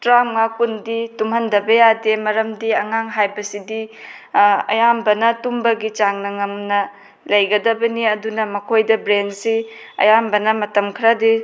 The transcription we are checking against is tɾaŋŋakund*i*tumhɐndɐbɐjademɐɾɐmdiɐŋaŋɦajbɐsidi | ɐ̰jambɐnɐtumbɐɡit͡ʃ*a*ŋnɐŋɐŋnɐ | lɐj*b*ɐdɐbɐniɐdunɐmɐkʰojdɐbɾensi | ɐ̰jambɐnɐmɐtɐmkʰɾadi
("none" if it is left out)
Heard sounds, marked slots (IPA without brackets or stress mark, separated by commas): i, a, ɡ